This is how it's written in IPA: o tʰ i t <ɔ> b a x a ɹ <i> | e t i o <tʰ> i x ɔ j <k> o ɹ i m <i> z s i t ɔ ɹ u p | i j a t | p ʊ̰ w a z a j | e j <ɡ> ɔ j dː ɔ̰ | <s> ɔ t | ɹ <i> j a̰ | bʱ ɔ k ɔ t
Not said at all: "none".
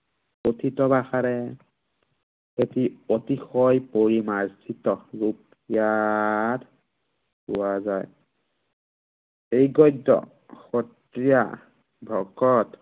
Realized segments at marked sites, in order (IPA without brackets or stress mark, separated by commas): ɔ, ɛ, t, p, a, ɡ, x, i